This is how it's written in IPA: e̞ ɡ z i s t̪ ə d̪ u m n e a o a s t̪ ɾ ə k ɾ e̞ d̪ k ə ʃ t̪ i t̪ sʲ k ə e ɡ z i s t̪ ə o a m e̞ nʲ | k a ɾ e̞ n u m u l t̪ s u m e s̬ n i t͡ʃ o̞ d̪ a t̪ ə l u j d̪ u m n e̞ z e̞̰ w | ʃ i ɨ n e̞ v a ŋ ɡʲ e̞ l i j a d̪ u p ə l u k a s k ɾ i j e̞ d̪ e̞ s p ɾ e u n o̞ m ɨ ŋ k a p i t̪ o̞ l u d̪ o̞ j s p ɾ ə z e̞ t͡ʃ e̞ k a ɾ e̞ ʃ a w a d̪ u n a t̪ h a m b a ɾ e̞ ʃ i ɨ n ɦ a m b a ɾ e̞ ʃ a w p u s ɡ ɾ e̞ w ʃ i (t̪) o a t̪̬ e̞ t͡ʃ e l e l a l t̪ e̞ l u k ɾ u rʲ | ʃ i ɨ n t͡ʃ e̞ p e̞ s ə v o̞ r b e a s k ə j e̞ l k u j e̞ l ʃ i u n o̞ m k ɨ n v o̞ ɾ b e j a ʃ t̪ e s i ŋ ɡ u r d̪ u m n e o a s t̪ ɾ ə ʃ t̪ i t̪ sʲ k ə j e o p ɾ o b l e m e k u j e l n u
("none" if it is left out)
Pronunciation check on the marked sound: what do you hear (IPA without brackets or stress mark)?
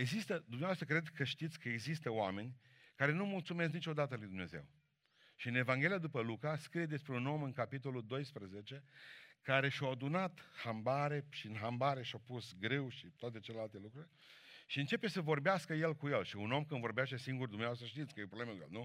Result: t̪